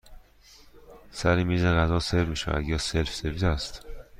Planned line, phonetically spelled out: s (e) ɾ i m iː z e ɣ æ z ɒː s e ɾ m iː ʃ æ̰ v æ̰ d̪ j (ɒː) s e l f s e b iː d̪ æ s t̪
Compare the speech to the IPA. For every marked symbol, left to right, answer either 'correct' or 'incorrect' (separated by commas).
incorrect, correct